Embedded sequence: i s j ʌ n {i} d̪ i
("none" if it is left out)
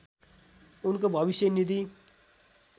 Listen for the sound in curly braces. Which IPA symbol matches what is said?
i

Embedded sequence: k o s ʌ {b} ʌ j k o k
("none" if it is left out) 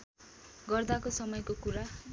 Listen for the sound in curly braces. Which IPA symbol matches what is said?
m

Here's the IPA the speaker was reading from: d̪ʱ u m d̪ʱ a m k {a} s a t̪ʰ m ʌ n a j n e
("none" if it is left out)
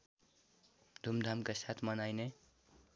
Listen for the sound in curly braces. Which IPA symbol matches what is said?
a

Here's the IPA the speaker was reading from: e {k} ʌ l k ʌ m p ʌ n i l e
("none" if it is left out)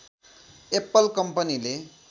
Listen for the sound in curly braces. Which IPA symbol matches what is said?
p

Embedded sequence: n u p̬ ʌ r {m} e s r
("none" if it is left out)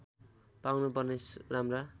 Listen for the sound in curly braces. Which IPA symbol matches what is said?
n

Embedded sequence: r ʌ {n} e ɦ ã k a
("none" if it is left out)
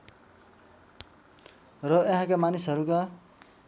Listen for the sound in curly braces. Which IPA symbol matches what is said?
none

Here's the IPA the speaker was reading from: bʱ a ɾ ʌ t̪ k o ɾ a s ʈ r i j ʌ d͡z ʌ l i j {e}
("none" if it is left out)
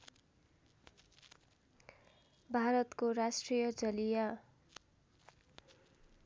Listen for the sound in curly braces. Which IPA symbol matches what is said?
a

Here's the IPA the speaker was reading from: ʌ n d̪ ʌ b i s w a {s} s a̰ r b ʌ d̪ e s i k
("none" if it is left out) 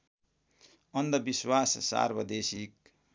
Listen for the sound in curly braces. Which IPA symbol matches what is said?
s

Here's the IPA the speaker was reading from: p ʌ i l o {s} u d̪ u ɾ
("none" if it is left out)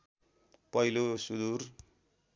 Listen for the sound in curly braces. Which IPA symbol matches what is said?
s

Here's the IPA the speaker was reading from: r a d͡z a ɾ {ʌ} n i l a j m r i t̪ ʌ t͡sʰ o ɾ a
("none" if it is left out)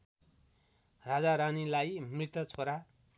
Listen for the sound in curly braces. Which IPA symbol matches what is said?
a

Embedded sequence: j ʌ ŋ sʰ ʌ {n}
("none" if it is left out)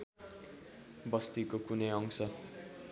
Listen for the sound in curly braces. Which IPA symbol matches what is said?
none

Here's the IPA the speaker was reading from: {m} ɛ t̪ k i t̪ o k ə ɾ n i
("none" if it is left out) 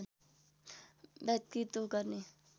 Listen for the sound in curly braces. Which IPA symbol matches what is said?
b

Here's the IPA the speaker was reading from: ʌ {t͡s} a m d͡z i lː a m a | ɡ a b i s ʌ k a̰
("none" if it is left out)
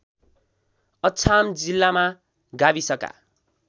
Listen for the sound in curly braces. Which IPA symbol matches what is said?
t͡sʰ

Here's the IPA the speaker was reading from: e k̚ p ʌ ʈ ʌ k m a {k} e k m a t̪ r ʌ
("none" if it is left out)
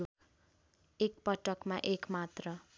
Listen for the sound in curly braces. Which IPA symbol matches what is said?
ʔ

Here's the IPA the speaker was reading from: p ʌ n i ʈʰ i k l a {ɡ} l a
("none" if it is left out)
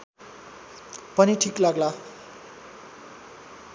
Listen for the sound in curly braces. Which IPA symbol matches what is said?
ɡ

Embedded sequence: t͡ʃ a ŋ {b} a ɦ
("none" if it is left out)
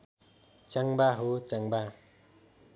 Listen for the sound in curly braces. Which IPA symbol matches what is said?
b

